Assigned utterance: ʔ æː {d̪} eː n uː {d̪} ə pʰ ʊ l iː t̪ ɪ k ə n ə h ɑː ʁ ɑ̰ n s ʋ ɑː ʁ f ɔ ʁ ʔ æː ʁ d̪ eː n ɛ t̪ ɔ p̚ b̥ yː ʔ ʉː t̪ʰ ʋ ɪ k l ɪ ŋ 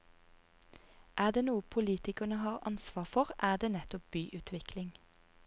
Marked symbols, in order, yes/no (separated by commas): yes, no